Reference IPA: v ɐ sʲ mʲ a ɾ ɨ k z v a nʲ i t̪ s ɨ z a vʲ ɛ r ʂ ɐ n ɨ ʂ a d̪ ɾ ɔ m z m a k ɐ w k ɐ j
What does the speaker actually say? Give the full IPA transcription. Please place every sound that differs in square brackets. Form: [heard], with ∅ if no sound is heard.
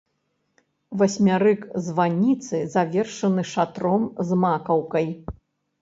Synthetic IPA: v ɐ sʲ mʲ a ɾ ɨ k z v a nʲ i t̪ s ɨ z a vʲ ɛ r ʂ ɐ n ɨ ʂ a [t̪] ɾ ɔ m z m a k ɐ w k ɐ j